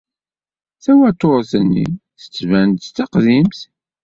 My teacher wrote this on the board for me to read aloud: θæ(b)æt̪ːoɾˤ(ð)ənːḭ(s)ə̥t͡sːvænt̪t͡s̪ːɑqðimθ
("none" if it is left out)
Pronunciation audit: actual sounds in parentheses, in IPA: w, θ, θ

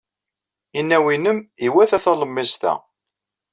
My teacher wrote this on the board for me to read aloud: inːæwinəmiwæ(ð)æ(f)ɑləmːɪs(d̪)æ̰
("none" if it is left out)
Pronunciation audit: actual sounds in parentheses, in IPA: θ, θ, t̪

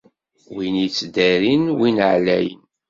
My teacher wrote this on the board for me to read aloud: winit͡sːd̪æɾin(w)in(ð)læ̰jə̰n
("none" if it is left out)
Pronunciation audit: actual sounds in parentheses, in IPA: w, ʕ

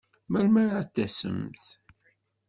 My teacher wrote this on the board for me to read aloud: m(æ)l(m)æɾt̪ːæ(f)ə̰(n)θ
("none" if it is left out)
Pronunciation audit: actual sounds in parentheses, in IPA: æ, m, s, m

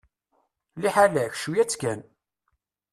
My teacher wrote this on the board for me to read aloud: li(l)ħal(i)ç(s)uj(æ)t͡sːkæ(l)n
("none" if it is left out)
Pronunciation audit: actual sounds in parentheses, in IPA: none, æ, ʃ, æ, none

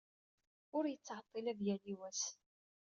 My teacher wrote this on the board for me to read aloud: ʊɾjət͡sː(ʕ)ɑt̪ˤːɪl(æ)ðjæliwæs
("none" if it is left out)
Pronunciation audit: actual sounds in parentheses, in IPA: ʕ, æ

